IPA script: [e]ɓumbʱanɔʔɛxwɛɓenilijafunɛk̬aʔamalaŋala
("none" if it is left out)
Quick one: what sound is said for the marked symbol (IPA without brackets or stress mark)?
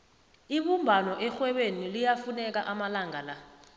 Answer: i